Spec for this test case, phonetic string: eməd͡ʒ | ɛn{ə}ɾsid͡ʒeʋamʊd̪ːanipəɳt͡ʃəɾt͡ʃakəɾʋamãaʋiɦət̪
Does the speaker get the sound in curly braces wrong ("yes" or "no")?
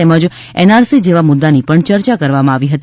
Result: yes